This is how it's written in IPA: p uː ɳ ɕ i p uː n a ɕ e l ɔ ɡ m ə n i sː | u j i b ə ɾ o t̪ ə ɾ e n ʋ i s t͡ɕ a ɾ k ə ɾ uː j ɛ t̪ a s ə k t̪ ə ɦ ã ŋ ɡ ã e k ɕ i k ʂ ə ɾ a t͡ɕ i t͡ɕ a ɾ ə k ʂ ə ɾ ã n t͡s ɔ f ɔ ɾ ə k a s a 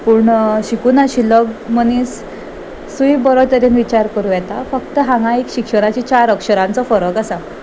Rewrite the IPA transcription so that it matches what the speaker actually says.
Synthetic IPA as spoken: p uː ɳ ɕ i k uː n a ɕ i l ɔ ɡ m ə n i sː | u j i b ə ɾ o t̪ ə ɾ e n ʋ i t͡ɕ a ɾ k ə ɾ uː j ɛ t̪ a f ə k t̪ ə ɦ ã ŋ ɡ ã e k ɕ i k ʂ ə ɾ a t͡ɕ i t͡ɕ a ɾ ə k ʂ ə ɾ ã n t͡s ɔ f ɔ ɾ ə k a s a